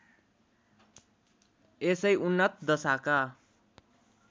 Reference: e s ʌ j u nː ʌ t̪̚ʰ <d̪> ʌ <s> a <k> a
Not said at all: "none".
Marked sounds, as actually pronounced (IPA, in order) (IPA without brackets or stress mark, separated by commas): d̪, s, k